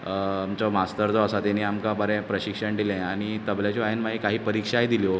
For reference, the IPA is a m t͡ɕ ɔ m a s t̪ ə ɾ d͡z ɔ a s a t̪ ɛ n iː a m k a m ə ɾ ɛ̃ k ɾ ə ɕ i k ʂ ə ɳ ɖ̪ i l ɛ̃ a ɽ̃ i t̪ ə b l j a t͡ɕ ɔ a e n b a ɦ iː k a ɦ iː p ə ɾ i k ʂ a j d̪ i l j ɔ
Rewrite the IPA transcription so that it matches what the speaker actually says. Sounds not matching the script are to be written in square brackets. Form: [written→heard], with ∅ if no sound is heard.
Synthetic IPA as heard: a m t͡ɕ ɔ m a s t̪ ə ɾ d͡z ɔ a s a t̪ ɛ n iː a m k a [m→b] ə ɾ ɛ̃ [k→p] ɾ ə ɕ i k ʂ ə ɳ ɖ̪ i l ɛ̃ a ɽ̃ i t̪ ə b l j a t͡ɕ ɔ a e n [b→m] a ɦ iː k a ɦ iː p ə ɾ i k ʂ a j d̪ i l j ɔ